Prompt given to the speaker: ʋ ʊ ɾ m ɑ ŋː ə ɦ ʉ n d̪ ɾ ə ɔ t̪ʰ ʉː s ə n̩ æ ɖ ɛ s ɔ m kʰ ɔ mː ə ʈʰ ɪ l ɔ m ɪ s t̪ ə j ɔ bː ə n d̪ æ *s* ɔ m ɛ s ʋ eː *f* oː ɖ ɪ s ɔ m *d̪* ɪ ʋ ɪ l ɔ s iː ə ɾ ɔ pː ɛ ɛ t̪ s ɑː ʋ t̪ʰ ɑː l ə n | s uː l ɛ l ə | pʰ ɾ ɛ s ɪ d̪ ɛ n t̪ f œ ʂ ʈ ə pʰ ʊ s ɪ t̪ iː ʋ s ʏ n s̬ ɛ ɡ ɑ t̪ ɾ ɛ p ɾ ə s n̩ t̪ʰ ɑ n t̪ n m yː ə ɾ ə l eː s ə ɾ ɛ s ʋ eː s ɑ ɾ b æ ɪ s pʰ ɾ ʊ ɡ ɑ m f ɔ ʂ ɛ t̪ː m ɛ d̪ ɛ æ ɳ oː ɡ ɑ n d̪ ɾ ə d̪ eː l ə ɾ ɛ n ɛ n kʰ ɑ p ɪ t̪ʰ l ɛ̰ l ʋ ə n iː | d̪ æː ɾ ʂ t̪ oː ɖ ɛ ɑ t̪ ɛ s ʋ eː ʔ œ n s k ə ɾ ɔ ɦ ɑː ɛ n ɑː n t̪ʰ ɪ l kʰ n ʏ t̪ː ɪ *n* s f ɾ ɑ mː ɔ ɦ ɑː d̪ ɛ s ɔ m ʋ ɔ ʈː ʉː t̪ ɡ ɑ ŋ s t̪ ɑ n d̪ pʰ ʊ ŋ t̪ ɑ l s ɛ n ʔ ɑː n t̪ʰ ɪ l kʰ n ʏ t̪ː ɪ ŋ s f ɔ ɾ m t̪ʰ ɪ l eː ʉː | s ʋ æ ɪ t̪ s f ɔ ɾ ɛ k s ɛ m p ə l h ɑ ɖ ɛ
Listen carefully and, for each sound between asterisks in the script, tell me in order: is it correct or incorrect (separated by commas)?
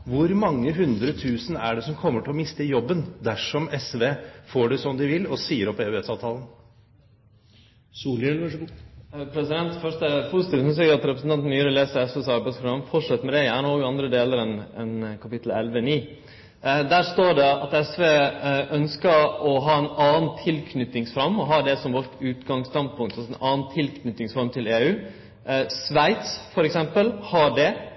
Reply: incorrect, correct, correct, incorrect